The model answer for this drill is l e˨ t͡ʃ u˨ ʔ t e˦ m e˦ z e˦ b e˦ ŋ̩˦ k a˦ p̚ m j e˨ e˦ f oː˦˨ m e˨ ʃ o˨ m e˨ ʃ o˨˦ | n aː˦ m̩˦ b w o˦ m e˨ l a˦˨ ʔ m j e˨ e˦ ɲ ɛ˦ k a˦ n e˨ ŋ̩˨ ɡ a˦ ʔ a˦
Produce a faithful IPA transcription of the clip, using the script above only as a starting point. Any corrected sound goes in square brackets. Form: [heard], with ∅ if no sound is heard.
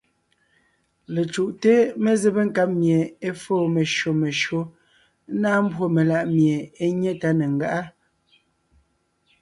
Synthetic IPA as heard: l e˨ t͡ʃ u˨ ʔ t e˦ m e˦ z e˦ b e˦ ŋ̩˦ k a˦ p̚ m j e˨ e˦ f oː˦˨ m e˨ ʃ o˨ m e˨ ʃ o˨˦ | n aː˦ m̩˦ b w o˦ m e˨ l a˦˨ ʔ m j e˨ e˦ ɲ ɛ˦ [t] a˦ n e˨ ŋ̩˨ ɡ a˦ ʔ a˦